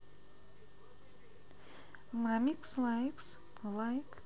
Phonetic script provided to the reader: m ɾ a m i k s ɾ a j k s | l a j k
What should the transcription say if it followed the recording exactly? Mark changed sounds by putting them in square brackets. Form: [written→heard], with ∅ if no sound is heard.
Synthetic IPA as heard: m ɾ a m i k s [ɾ→l] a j k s | l a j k